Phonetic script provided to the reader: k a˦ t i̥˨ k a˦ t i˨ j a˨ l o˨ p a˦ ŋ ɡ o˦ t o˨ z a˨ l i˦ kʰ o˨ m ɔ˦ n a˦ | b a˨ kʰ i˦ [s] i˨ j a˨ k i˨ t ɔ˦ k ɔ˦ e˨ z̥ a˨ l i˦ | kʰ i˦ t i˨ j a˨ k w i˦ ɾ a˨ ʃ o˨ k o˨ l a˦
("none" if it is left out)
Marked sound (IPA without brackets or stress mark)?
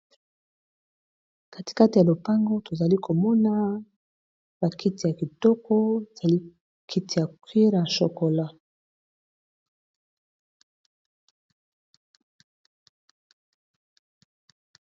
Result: t